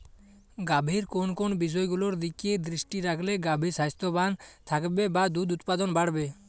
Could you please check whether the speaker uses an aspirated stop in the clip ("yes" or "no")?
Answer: yes